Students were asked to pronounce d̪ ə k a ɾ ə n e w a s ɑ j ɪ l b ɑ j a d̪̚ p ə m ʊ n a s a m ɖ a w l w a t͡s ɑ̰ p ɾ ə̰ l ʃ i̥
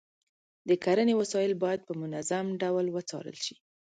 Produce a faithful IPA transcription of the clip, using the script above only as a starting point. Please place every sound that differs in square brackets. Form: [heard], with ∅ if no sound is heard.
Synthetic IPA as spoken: d̪ ə k a ɾ ə n e w a s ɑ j ɪ l b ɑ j a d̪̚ p ə m ʊ n a [z] a m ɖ a w l w [ə] t͡s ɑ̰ [∅] ɾ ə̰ l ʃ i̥